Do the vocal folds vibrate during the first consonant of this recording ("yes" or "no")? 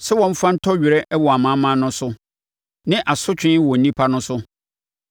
no